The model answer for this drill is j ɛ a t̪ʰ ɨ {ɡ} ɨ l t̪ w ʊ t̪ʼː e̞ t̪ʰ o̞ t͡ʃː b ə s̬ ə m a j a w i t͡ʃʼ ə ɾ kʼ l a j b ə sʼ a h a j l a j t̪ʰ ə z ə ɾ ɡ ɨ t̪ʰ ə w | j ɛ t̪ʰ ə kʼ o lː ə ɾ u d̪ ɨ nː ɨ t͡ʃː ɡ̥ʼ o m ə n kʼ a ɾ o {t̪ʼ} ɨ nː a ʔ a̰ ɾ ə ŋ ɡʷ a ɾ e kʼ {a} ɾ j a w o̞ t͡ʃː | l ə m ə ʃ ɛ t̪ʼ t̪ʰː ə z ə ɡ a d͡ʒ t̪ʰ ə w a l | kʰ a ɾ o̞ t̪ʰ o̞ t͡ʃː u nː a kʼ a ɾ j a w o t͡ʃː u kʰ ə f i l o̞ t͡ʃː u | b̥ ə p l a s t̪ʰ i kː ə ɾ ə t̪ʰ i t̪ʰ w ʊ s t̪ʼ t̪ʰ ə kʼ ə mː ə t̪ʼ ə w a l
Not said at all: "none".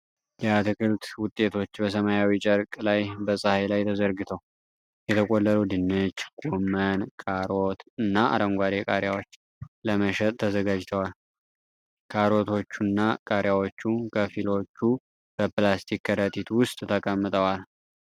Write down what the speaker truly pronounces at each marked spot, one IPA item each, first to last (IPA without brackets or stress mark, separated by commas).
k, t̪, a